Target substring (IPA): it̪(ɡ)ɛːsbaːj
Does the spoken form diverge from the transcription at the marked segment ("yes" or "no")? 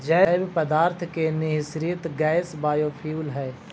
no